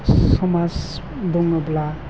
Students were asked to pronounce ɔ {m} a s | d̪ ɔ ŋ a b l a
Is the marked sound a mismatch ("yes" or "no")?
no